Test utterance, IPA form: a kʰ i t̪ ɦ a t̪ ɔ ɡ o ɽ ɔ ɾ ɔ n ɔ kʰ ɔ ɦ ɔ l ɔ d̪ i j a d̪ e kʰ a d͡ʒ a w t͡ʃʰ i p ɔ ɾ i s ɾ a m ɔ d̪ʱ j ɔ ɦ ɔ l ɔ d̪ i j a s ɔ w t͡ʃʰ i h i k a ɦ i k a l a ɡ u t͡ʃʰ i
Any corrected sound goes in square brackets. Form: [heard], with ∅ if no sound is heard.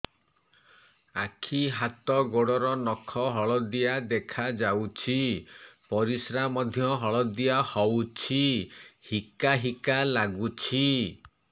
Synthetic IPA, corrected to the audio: a kʰ i [∅] ɦ a t̪ ɔ ɡ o ɽ ɔ ɾ ɔ n ɔ kʰ ɔ ɦ ɔ [ɭ] ɔ d̪ i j a d̪ e kʰ a d͡ʒ a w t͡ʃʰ i p ɔ ɾ i s ɾ a m ɔ d̪ʱ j ɔ ɦ ɔ [ɭ] ɔ d̪ i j a [h] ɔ w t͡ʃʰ i h i k a ɦ i k a l a ɡ u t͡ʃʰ i